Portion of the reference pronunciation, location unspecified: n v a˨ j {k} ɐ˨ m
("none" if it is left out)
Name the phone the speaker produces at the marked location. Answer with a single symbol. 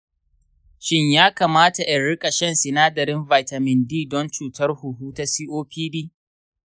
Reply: t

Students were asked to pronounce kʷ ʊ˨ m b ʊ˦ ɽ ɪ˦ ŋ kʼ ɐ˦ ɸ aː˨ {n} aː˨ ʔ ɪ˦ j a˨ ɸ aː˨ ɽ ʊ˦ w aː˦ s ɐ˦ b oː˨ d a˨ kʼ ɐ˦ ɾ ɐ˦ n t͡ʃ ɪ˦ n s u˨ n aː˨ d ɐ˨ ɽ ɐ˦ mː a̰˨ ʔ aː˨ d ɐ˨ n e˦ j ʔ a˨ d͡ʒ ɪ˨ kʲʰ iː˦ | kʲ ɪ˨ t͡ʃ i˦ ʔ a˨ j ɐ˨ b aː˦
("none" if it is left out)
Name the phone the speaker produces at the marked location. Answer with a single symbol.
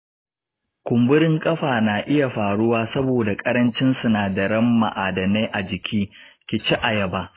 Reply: n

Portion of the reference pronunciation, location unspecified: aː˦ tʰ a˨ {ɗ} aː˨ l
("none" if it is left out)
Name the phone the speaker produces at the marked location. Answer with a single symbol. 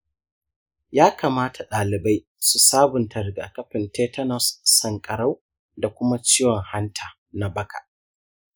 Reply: ɗ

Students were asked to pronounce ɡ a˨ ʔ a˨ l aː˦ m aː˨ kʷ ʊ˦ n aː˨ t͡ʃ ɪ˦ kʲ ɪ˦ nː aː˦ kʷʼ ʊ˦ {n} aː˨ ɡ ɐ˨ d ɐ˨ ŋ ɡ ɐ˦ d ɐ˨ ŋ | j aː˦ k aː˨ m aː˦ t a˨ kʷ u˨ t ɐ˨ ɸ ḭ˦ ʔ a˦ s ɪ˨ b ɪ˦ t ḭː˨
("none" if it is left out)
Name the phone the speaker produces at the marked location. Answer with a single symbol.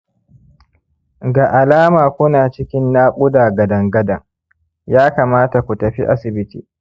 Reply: d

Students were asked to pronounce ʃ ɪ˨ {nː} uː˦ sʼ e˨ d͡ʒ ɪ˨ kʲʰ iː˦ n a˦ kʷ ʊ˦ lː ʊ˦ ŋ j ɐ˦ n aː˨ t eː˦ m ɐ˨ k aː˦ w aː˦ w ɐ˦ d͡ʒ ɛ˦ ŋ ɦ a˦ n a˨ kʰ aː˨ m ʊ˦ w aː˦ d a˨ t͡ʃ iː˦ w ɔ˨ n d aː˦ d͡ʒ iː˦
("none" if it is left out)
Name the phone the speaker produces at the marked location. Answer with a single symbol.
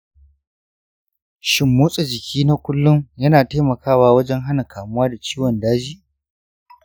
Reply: mː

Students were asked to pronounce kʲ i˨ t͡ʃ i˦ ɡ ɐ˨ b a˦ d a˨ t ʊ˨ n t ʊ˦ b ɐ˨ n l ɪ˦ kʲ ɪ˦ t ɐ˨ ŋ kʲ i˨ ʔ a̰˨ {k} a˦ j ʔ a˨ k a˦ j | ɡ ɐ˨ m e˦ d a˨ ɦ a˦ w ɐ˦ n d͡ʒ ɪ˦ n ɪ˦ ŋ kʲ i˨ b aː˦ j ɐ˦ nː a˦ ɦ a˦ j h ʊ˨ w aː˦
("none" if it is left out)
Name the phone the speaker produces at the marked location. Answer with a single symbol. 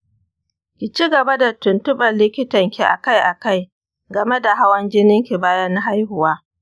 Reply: k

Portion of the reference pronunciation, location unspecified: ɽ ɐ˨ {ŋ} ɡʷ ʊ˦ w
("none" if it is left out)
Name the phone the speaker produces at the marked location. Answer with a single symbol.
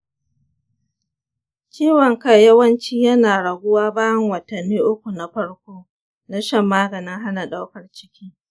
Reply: none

